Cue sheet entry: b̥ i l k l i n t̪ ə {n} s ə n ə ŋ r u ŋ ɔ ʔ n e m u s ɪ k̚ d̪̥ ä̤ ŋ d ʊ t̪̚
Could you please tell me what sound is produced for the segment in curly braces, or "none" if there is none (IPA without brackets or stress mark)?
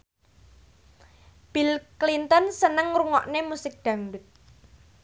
n